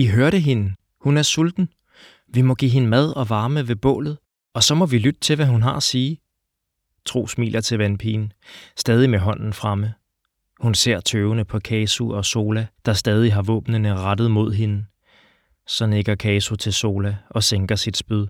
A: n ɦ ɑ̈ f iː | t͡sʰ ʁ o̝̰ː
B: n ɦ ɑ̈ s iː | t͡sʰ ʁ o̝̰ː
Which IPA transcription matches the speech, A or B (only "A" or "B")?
B